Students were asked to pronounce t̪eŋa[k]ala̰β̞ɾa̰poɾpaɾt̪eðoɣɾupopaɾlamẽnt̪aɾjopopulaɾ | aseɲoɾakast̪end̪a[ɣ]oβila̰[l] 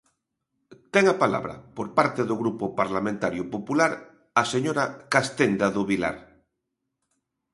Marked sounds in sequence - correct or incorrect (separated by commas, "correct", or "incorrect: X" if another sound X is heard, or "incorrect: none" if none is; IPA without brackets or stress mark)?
incorrect: p, incorrect: ð, incorrect: ɾ